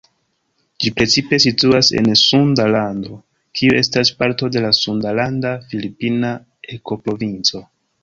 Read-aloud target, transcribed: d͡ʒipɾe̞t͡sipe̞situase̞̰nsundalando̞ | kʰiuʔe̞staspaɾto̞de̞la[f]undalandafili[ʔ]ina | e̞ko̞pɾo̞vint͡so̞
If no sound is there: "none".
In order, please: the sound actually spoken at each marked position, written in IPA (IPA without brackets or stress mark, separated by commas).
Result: s, p